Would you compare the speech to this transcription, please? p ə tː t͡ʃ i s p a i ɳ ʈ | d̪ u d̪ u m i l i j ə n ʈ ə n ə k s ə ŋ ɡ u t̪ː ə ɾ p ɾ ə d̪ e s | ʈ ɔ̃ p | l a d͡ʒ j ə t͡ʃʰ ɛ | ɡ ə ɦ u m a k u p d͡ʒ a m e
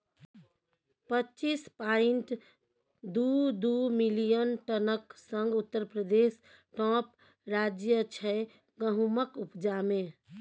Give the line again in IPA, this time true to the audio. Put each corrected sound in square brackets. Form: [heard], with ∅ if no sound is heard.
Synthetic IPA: p ə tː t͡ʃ i s p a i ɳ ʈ | d̪ u d̪ u m i l i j ə n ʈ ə n ə k s ə ŋ ɡ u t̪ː ə ɾ p ɾ ə d̪ e s | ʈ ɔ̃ p | [ɾ] a d͡ʒ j ə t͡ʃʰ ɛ | ɡ ə ɦ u m [ə] k u p d͡ʒ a m e